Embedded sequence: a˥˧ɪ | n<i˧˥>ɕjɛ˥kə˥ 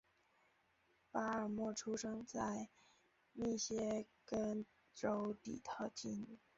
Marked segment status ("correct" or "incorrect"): incorrect